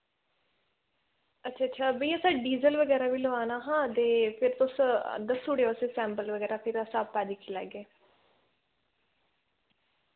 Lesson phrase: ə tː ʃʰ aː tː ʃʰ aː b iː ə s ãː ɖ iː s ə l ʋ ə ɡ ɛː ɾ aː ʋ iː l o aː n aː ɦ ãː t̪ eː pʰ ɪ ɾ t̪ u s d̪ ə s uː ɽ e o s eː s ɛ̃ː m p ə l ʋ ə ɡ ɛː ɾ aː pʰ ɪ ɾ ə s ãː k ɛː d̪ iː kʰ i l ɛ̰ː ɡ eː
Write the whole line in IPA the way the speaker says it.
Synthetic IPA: ə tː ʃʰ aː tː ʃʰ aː b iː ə s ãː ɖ iː z ə l ʋ ə ɡ ɛː ɾ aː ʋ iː l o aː n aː ɦ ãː t̪ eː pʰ ɪ ɾ t̪ ʊ s d̪ ə s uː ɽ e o s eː s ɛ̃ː m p ə l ʋ ə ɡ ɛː ɾ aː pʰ ɪ ɾ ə s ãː p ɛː d̪ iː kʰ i l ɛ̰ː ɡ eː